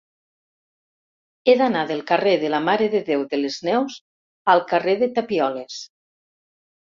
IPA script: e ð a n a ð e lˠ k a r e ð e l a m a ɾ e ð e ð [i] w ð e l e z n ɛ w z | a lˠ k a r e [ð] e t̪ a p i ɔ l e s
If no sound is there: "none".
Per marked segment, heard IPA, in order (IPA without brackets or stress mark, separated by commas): e, ð